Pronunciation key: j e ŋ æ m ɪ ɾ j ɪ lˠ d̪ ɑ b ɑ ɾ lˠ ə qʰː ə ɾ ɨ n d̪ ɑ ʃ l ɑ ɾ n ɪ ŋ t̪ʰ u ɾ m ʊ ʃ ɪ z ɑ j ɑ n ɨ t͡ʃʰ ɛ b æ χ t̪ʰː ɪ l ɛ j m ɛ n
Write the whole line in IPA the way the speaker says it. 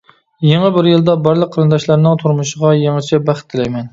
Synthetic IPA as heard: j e ŋ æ b ɪ ɾ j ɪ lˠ d̪ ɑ b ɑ ɾ lˠ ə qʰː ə ɾ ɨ n d̪ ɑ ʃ l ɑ ɾ n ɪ ŋ t̪ʰ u ɾ m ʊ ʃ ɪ ʁ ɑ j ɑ ŋ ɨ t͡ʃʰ ɛ b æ χ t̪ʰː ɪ l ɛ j m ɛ n